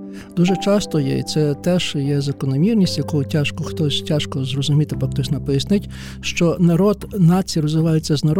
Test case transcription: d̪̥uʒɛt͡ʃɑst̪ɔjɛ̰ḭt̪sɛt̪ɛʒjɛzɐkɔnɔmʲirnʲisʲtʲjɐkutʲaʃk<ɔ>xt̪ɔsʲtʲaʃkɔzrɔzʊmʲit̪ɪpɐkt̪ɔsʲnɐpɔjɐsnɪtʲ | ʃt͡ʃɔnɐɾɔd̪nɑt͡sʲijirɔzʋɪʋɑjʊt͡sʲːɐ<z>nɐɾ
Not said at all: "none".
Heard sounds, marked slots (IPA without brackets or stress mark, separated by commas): ɔ, z